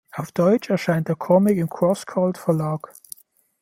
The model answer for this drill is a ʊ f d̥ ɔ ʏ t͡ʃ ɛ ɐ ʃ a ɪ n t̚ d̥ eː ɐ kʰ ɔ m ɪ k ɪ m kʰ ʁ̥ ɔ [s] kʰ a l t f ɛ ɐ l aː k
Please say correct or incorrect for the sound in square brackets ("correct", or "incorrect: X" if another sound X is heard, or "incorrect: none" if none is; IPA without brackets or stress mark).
correct